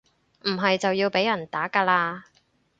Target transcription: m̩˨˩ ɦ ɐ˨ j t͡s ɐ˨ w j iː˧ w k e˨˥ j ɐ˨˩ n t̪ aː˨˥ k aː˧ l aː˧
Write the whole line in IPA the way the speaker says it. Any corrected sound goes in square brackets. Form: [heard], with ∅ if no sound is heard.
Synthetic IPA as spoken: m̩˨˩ ɦ ɐ˨ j t͡s ɐ˨ w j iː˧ w [p] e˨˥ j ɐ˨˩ n t̪ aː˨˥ k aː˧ l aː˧